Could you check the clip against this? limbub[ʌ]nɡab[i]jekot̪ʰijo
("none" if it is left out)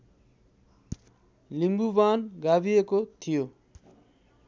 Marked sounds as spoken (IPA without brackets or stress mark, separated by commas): a, i